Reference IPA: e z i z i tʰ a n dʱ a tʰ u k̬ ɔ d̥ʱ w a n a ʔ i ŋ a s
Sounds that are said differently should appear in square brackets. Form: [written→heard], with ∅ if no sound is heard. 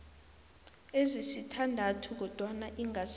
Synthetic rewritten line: e z i [z→s] i tʰ a n dʱ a tʰ u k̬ ɔ d̥ʱ w a n a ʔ i ŋ a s